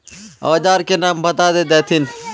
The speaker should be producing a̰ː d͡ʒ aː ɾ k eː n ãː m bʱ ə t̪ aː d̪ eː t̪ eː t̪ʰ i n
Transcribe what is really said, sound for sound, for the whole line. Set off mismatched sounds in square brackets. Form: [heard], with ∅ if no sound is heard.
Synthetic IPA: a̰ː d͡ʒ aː ɾ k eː n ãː m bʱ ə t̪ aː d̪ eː [d̪] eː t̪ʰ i n